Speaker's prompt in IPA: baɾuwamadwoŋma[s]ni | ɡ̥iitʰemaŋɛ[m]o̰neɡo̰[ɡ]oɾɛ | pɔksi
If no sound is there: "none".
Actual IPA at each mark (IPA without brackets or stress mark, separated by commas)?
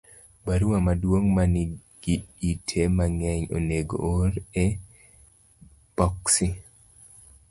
none, ɲ, none